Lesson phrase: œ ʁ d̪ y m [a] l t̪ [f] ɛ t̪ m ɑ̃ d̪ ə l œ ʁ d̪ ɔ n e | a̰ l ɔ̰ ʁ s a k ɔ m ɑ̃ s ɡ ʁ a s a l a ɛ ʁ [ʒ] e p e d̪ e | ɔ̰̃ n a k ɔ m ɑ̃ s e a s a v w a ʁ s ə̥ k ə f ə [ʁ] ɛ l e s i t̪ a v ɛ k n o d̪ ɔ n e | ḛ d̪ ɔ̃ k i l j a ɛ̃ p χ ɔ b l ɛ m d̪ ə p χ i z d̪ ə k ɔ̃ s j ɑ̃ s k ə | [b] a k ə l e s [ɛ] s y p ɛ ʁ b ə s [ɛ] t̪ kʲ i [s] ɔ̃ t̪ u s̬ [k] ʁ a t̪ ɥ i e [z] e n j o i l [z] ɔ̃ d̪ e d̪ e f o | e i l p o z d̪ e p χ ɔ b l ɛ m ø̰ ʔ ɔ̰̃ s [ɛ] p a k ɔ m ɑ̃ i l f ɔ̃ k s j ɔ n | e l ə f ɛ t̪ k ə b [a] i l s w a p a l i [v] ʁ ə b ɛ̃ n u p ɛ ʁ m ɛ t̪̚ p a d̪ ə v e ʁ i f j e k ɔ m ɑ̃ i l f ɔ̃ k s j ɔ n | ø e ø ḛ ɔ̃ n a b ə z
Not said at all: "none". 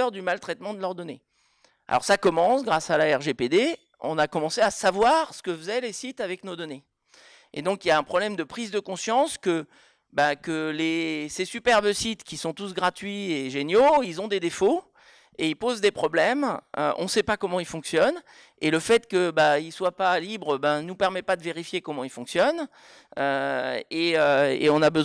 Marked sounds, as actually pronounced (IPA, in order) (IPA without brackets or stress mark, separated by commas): a, χ, ʒ, z, b, e, i, s, ɡ, ʒ, z, ɛ, a, b